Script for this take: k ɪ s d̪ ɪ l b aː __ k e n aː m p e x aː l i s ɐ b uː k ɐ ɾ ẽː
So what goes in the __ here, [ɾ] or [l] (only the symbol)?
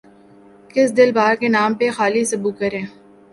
ɾ